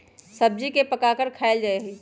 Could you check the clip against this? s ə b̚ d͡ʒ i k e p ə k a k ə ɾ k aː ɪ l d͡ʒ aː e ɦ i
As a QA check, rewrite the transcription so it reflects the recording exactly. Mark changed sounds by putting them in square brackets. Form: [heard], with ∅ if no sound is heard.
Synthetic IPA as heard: s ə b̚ d͡ʒ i k e p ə k a k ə ɾ [kʰ] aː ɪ l d͡ʒ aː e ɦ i